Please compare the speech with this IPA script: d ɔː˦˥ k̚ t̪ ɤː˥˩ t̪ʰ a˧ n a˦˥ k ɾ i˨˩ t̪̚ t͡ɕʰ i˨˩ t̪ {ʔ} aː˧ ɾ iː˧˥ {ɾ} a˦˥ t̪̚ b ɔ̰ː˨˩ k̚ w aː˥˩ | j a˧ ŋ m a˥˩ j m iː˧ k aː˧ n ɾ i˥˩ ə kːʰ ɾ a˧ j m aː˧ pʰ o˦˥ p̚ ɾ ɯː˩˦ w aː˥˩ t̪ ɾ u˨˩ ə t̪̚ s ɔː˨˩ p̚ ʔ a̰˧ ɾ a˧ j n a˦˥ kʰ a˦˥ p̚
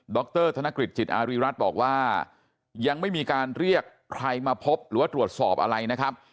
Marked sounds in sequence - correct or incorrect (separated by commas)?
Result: correct, correct